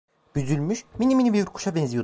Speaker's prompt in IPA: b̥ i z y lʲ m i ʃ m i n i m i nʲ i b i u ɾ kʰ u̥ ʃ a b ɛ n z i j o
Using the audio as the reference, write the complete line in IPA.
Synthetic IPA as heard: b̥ y z y lʲ m y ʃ m i n i m i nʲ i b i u ɾ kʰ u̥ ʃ a b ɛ n z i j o